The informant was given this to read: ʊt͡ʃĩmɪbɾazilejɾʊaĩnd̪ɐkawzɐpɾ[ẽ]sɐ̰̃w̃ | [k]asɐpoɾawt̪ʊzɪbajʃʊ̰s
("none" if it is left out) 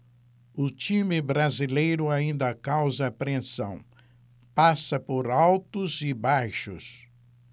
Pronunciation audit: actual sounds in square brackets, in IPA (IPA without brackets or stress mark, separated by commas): ẽ, p